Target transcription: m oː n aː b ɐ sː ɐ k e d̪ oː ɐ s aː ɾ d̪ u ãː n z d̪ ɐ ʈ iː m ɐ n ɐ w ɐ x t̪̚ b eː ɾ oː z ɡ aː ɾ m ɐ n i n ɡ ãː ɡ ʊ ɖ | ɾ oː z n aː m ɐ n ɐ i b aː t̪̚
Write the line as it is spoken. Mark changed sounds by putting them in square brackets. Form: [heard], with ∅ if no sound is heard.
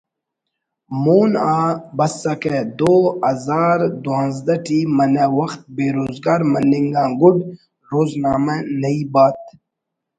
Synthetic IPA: m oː n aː b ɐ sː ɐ k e d̪ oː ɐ [z] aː ɾ d̪ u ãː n z d̪ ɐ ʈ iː m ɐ n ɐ w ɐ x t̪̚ b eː ɾ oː z ɡ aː ɾ m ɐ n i [ŋ] ɡ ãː ɡ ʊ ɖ | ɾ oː z n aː m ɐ n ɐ i b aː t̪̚